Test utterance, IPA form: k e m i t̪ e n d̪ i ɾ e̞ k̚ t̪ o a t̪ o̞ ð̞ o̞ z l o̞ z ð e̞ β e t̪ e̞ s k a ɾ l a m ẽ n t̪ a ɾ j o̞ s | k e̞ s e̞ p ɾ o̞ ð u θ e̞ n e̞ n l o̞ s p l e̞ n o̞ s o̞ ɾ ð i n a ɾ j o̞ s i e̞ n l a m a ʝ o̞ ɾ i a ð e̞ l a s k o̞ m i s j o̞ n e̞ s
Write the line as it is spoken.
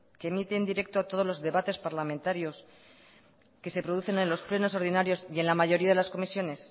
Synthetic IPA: k e m i t̪ e n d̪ i ɾ e̞ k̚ t̪ o a t̪ o̞ ð̞ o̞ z l o̞ z ð e̞ β a t̪ e̞ s p a ɾ l a m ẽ n t̪ a ɾ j o̞ s | k e̞ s e̞ p ɾ o̞ ð u θ e̞ n e̞ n l o̞ s p l e̞ n o̞ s o̞ ɾ ð i n a ɾ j o̞ s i e̞ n l a m a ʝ o̞ ɾ i a ð e̞ l a s k o̞ m i s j o̞ n e̞ s